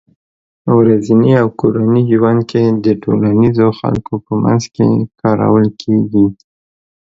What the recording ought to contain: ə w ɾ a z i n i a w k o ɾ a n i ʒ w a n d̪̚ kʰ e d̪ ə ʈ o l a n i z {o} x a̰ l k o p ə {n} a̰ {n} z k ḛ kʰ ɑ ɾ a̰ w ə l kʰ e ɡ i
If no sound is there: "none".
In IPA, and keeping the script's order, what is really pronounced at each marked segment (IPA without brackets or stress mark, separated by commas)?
o, m, n